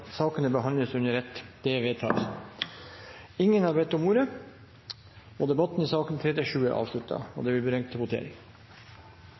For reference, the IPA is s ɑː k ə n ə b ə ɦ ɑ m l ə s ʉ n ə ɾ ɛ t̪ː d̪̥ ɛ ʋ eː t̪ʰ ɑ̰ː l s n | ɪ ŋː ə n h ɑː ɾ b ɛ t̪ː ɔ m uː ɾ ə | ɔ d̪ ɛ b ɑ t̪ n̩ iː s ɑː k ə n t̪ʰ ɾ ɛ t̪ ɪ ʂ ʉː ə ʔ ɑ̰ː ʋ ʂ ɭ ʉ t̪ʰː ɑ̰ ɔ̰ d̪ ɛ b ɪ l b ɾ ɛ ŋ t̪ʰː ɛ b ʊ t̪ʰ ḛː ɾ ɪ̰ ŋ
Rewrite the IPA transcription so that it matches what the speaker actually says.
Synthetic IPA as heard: s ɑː k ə n ə b ə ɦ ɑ n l ə s ʉ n ə ɾ ɛ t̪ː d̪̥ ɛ ʋ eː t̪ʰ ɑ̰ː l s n | ɪ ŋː ə n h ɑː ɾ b ɛ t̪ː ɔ m uː ɾ ə | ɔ d̪ ɛ b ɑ t̪ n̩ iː s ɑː k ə n t̪ʰ ɾ ɛ t̪ ɪ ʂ ʉː ə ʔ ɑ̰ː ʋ ʂ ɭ ʉ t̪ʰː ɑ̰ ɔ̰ d̪ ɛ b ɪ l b ɾ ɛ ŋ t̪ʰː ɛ b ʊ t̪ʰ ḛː ɾ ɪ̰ ŋ